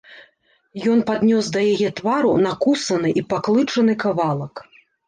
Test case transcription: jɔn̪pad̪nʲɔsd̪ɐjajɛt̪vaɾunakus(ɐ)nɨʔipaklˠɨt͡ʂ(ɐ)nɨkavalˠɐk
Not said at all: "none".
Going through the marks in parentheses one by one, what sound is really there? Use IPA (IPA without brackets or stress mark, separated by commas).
ɐ, ɐ